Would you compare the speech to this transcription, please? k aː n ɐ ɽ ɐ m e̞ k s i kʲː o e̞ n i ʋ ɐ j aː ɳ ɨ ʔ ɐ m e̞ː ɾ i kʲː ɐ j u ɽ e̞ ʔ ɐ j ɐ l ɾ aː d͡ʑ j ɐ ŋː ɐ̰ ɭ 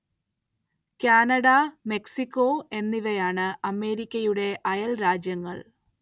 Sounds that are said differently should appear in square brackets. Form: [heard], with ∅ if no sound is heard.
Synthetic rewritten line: k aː n ɐ ɽ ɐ m e̞ k s i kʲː o e̞ [nː] i ʋ ɐ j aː ɳ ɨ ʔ ɐ m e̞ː ɾ i kʲː ɐ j u ɽ e̞ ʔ ɐ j ɐ l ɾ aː d͡ʑ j ɐ ŋː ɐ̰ ɭ